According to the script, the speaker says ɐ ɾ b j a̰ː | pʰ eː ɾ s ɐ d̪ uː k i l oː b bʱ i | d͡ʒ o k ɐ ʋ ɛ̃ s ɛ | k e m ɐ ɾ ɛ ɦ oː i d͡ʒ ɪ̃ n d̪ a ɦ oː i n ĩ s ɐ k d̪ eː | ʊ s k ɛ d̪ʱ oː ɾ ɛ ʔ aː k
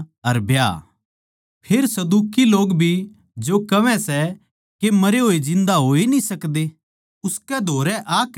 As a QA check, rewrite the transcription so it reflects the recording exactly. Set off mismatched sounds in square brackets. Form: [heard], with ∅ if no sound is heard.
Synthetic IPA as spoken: ɐ ɾ b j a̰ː | pʰ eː ɾ s ɐ d̪ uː k i l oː [ɡ] bʱ i | d͡ʒ o k ɐ ʋ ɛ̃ s ɛ | k e m ɐ ɾ [e] ɦ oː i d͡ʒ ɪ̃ n d̪ a ɦ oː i n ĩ s ɐ k d̪ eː | ʊ s k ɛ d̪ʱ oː ɾ ɛ ʔ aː k